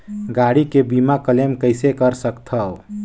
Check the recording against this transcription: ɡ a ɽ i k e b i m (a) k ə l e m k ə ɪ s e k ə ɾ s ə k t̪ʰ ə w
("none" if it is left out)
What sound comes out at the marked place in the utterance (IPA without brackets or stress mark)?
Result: a